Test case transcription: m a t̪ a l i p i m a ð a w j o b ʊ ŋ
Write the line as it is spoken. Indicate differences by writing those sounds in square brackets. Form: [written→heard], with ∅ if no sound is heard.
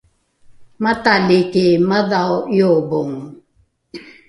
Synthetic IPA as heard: m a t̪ a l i [p→k] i m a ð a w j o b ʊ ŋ